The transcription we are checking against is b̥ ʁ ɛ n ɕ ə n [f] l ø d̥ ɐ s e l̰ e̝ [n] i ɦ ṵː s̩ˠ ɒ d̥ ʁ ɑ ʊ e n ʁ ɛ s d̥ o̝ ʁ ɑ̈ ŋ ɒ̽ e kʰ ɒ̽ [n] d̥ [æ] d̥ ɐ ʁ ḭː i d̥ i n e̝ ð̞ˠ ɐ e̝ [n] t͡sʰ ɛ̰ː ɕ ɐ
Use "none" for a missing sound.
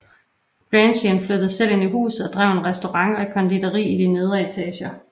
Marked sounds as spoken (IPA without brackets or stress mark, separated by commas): f, n, n, i, none